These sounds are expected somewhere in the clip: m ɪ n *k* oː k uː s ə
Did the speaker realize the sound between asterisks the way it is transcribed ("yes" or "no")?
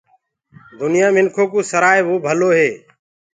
no